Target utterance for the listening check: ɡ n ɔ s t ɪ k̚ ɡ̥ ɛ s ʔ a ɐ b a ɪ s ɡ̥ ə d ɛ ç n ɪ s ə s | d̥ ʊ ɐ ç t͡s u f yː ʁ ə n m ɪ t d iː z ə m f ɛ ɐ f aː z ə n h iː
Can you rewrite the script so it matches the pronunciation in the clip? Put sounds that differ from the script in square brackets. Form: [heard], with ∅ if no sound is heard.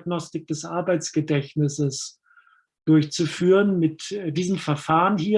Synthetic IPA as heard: ɡ n ɔ s t ɪ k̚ [d̥] ɛ s ʔ a ɐ b a ɪ [t͡s] ɡ̥ ə d ɛ ç n ɪ s ə s | d̥ ʊ ɐ ç t͡s u f yː ʁ ə n m ɪ t d iː z ə m f ɛ ɐ f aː [ʁ] ə n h iː